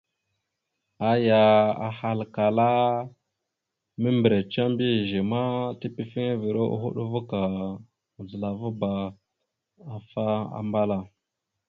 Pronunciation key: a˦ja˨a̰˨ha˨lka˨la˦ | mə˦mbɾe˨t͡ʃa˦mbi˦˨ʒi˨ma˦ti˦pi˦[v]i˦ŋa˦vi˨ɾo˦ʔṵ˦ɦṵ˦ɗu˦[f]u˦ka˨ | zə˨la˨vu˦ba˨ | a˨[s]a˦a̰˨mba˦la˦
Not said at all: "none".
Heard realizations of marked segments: f, v, f

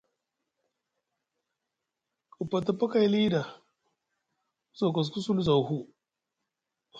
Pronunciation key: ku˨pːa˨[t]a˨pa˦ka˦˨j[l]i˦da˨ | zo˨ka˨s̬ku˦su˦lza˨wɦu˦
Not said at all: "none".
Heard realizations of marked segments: t, l

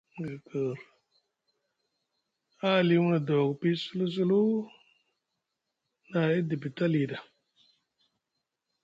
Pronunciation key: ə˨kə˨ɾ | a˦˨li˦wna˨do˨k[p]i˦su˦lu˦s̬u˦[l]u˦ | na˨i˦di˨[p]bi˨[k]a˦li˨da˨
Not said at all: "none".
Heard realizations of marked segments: p, l, none, t

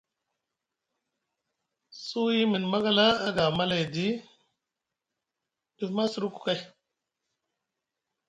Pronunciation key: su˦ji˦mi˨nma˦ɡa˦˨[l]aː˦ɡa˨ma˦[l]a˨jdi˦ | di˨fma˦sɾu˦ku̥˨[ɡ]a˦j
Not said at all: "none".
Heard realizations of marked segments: l, l, k

